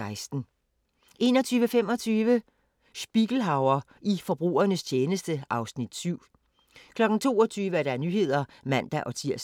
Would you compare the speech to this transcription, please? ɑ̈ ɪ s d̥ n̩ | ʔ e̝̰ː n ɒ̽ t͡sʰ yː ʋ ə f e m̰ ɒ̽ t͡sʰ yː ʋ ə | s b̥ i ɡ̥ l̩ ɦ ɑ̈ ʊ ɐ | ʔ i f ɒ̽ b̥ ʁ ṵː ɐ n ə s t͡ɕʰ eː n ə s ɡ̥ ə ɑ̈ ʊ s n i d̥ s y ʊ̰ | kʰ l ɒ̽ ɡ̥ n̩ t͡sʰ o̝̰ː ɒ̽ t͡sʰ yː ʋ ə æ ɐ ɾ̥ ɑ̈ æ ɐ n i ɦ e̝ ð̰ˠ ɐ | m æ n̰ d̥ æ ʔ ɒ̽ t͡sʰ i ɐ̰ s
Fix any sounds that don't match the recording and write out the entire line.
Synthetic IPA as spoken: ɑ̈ ɪ s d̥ n̩ | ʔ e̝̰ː n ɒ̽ t͡sʰ yː ʋ ə f e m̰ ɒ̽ t͡sʰ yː ʋ ə | s b̥ i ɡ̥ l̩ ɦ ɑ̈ ʊ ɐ | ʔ i f ɒ̽ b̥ ʁ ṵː ɐ n ə s t͡ɕʰ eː n ə s d̥ ə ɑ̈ ʊ s n i d̥ s y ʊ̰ | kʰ l ɒ̽ ɡ̥ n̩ t͡sʰ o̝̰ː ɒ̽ t͡sʰ yː ʋ ə æ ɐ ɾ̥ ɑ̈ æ ɐ n y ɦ e̝ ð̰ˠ ɐ | m æ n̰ d̥ æ ʔ ɒ̽ t͡sʰ i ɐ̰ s

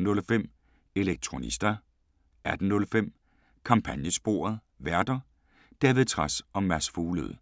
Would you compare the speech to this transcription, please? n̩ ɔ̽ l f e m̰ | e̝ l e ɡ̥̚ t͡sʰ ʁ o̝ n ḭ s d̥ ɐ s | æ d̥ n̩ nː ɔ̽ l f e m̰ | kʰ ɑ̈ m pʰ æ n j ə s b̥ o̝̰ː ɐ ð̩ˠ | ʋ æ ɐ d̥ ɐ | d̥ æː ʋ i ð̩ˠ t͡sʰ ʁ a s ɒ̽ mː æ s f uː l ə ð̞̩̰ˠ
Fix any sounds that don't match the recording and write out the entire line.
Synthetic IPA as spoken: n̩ ɔ̽ l f e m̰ | e̝ l e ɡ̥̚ t͡sʰ ʁ o̝ n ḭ s d̥ ɐ | æ d̥ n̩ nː ɔ̽ l f e m̰ | kʰ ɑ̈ m pʰ æ n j ə s b̥ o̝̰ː ɐ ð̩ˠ | ʋ æ ɐ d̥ ɐ | d̥ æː ʋ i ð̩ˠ t͡sʰ ʁ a s ɒ̽ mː æ s f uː l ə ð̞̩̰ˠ

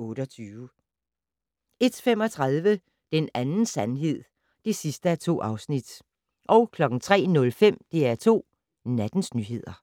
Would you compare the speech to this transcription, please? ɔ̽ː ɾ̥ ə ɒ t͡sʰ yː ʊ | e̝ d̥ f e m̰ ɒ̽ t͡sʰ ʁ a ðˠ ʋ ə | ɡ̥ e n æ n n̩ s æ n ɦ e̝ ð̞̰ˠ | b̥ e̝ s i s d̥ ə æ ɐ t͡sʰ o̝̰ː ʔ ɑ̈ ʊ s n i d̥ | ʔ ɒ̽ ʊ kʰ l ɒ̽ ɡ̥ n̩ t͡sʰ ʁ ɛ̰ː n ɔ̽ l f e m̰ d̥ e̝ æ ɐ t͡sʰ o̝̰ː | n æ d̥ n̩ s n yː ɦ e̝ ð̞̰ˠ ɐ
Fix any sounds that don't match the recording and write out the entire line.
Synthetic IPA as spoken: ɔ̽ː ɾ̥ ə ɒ t͡sʰ yː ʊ | e̝ d̥ f e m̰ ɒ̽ t͡sʰ ʁ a ðˠ ʋ ə | d̥ e n æ n n̩ s æ n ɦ e̝ ð̞̰ˠ | d̥ e̝ s i s d̥ ə æ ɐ t͡sʰ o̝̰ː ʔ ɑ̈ ʊ s n i d̥ | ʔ ɒ̽ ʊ kʰ l ɒ̽ ɡ̥ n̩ t͡sʰ ʁ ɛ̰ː n ɔ̽ l f e m̰ d̥ e̝ æ ɐ t͡sʰ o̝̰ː | n æ d̥ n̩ s n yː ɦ e̝ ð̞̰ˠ ɐ

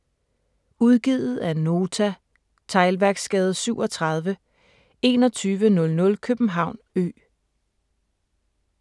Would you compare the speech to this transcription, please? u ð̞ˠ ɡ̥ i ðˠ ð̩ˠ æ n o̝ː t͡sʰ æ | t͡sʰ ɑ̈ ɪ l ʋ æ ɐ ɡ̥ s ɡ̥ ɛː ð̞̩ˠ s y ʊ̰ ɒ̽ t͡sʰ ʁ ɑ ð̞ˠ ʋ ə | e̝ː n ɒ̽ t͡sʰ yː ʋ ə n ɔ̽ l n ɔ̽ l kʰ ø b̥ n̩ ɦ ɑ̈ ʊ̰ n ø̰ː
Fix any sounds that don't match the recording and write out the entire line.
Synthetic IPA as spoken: u ð̞ˠ ɡ̥ i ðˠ ð̩ˠ æ n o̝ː t͡sʰ æ | t͡sʰ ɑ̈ ɪ l ʋ æ ɐ ɡ̥ s ɡ̥ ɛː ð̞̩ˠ s y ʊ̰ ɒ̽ t͡sʰ ʁ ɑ ð̞ˠ ʋ ə | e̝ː n ɒ̽ t͡sʰ yː ʋ ə n ɔ̽ l n ɔ̽ l kʰ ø b̥ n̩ ɦ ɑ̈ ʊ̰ n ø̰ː

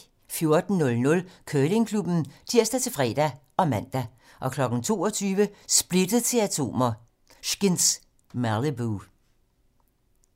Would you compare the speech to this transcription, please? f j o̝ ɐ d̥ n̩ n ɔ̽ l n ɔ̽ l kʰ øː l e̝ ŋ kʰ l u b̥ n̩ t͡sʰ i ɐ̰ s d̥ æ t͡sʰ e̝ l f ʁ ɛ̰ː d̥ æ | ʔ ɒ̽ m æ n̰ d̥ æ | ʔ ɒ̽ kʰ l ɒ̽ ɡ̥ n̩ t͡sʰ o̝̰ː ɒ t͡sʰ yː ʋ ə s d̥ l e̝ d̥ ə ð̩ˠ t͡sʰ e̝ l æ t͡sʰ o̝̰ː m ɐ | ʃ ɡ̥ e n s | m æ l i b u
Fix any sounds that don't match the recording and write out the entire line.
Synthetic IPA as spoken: f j o̝ ɐ d̥ n̩ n ɔ̽ l n ɔ̽ l kʰ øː l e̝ ŋ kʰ l u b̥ n̩ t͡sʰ i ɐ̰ s d̥ æ t͡sʰ e̝ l f ʁ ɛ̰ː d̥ æ | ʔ ɒ̽ m æ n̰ d̥ æ | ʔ ɒ̽ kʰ l ɒ̽ ɡ̥ n̩ t͡sʰ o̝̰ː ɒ t͡sʰ yː ʋ ə s b̥ l e̝ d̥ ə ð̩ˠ t͡sʰ e̝ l æ t͡sʰ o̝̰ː m ɐ | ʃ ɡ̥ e n s | m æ l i b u

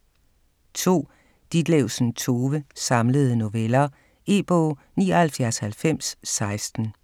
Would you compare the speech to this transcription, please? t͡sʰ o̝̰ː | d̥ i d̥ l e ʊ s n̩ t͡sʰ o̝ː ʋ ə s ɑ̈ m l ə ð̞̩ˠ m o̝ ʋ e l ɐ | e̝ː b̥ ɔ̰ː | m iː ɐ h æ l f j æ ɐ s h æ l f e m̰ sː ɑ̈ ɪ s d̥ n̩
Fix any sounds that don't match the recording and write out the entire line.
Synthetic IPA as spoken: t͡sʰ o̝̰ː | d̥ i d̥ l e ʊ s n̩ t͡sʰ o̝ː ʋ ə s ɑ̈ m l ə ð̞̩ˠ n o̝ ʋ e l ɐ | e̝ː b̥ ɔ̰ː | n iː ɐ h æ l f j æ ɐ s h æ l f e m̰ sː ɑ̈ ɪ s d̥ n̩

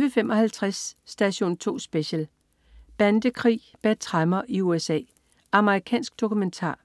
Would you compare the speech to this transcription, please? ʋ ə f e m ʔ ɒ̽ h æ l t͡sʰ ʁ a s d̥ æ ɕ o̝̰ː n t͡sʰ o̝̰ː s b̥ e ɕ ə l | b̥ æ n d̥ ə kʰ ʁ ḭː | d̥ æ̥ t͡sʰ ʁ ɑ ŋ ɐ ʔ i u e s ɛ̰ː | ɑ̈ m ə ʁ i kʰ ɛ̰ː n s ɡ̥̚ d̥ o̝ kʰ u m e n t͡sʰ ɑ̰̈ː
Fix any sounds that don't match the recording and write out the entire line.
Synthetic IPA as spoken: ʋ ə f e m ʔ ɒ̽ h æ l t͡sʰ ʁ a s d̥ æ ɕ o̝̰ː n t͡sʰ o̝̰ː s b̥ e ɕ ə l | b̥ æ n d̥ ə kʰ ʁ ḭː | b̥ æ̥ t͡sʰ ʁ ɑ m ɐ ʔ i u e s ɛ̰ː | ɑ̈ m ə ʁ i kʰ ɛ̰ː n s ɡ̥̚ d̥ o̝ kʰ u m e n t͡sʰ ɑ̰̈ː

